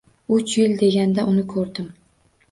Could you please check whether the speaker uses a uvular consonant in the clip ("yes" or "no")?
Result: no